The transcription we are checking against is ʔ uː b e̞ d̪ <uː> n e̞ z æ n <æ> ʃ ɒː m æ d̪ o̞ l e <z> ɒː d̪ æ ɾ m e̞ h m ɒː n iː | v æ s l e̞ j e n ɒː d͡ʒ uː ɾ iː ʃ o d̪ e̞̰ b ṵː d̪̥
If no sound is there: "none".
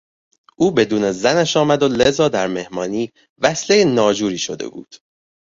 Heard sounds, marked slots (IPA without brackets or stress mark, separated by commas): uː, æ, z